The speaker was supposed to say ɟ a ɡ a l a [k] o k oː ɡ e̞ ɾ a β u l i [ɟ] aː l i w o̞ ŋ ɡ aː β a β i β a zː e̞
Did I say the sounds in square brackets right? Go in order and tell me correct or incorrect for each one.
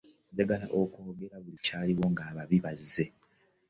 incorrect: ʔ, incorrect: c

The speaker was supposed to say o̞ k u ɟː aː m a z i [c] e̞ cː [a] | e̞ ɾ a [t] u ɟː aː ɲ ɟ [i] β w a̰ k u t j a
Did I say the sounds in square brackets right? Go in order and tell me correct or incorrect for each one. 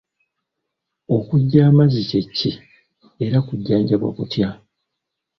correct, incorrect: i, incorrect: k, incorrect: a

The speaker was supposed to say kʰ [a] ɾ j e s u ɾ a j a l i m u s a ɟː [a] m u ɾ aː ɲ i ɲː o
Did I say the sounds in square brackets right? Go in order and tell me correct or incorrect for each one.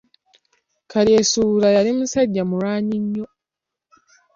correct, correct

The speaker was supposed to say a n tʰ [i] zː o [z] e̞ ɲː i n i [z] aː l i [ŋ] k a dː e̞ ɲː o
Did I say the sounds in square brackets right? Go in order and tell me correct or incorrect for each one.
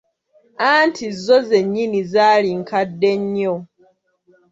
correct, correct, correct, correct

